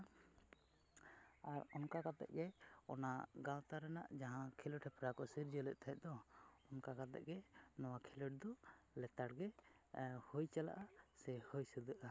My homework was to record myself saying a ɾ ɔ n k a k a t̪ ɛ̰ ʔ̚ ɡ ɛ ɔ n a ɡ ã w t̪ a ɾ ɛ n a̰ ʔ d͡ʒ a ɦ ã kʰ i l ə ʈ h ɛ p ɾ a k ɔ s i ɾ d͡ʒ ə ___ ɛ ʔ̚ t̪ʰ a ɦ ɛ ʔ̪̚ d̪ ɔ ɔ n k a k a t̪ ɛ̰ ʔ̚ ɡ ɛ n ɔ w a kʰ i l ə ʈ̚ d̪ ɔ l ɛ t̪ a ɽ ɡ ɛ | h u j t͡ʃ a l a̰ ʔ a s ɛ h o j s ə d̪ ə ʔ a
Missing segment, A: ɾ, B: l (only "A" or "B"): B